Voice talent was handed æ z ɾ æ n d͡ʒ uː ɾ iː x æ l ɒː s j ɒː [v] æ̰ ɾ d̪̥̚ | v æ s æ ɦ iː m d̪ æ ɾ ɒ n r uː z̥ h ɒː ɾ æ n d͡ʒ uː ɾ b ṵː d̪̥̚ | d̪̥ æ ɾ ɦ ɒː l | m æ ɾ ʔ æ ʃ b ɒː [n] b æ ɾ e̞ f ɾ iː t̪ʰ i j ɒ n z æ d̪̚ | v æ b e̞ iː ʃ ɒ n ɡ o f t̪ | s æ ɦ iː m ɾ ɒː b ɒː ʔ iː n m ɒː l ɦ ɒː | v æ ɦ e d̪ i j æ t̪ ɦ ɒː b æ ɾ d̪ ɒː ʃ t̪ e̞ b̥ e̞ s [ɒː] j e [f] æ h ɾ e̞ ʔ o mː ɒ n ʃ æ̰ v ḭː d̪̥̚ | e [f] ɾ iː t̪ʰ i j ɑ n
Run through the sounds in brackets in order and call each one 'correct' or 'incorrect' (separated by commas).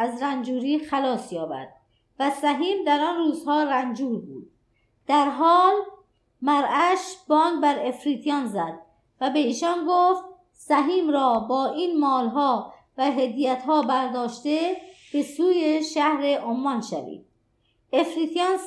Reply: incorrect, correct, incorrect, incorrect, correct